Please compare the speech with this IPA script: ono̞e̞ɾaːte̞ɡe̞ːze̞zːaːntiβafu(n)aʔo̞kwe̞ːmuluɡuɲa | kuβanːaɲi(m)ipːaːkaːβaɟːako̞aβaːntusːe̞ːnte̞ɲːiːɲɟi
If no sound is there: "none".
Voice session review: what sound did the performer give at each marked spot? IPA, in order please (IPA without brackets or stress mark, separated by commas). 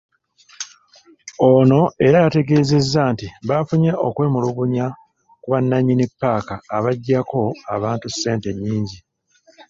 ɲ, n